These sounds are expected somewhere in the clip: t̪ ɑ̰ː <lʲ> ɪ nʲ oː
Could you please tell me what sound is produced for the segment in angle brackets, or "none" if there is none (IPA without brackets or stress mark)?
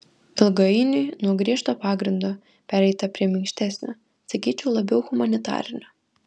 ɾʲ